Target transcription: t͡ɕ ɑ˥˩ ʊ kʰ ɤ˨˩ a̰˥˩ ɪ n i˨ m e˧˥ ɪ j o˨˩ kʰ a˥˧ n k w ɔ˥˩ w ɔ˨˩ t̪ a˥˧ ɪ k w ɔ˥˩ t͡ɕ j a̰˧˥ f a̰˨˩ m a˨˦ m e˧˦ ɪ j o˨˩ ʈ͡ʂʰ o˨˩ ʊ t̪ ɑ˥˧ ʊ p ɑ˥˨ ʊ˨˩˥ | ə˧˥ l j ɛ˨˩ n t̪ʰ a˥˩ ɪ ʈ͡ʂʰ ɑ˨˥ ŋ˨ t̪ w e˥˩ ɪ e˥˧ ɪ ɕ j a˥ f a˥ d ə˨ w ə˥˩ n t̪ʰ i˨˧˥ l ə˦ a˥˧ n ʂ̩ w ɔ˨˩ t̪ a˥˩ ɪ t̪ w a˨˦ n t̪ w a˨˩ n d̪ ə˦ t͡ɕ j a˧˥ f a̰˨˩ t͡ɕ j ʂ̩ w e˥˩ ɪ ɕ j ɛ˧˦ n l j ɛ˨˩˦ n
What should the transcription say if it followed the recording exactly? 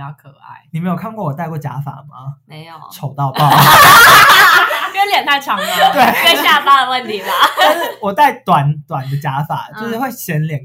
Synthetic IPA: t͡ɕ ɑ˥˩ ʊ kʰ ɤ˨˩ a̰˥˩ ɪ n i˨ m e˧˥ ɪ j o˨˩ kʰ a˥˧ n k w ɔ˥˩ w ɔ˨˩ t̪ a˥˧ ɪ k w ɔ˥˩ t͡ɕ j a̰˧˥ f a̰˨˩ m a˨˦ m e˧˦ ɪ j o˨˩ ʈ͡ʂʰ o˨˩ ʊ t̪ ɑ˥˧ ʊ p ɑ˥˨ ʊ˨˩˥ | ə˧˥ l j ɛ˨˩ n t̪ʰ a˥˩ ɪ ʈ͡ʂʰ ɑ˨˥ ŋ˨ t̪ w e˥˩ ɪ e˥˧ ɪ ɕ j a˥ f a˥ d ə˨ w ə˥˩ n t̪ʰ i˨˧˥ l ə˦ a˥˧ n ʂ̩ w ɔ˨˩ t̪ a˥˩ ɪ t̪ w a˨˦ n t̪ w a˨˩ n d̪ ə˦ t͡ɕ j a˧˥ f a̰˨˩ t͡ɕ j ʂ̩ w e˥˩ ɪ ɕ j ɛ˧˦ n l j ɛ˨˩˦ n